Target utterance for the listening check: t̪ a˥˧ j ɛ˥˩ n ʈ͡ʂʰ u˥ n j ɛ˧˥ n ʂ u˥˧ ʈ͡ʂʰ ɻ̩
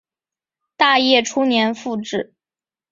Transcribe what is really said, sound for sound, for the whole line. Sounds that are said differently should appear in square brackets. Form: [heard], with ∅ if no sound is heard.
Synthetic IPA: t̪ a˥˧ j ɛ˥˩ [∅] ʈ͡ʂʰ u˥ n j ɛ˧˥ n [f] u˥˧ [ʈ͡ʂ] ɻ̩